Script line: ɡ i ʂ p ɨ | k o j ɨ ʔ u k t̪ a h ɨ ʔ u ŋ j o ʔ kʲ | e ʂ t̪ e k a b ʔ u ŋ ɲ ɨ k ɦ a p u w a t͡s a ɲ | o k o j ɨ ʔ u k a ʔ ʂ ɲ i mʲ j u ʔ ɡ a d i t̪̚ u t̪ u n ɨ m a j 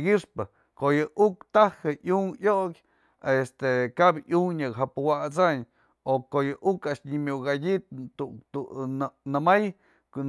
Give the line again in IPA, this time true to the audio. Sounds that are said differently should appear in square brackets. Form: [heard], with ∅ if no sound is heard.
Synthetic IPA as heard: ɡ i ʂ p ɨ | k o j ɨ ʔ u k t̪ a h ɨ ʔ u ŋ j o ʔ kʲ | e [s] t̪ e k a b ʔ u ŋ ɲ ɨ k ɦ a p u w a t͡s a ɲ | o k o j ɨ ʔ u k a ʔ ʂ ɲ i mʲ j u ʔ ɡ a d i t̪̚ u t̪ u n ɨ m a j